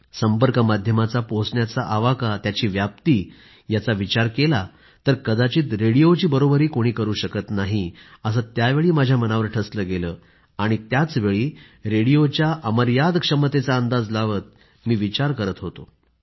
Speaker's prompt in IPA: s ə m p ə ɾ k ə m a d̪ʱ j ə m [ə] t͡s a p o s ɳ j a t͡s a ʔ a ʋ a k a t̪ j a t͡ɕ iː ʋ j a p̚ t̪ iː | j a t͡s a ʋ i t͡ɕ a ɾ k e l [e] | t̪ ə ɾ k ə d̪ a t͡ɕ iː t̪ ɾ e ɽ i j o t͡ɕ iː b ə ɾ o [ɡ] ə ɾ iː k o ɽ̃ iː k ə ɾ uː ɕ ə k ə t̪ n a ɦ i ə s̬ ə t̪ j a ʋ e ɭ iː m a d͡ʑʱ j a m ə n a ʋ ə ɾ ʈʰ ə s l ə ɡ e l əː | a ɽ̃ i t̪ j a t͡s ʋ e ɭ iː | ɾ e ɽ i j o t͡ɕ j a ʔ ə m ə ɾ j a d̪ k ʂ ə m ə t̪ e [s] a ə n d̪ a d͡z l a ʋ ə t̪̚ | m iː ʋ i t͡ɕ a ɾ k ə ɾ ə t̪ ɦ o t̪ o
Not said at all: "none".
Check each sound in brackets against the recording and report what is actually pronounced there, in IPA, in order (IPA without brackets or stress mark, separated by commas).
a, a, b, t͡s